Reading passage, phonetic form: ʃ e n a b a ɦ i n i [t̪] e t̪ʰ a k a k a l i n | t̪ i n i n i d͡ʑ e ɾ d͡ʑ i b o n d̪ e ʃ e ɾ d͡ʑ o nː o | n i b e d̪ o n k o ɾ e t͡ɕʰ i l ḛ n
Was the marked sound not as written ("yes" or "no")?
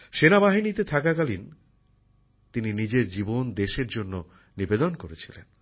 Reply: no